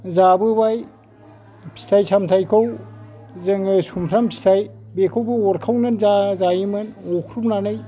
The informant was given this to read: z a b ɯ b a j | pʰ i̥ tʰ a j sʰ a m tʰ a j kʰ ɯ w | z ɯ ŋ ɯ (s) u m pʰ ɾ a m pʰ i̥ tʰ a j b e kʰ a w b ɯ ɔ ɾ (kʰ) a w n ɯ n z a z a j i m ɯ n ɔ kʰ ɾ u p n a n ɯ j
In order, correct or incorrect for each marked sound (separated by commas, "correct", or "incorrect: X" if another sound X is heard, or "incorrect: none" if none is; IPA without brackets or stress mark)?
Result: correct, correct